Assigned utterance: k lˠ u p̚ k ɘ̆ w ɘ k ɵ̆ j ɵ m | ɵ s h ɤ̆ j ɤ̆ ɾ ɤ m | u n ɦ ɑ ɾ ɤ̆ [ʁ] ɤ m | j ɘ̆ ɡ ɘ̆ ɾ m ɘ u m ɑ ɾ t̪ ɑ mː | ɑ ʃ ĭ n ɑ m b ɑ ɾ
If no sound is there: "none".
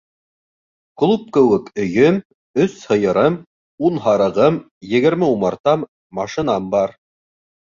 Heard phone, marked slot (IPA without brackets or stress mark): ʁ